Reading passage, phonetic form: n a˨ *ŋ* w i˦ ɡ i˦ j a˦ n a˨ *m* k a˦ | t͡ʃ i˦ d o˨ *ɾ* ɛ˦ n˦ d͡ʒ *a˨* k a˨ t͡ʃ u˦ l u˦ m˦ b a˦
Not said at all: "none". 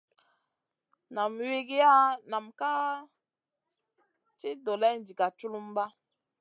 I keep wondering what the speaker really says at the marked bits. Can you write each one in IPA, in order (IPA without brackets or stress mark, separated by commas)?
m, m, l, i˨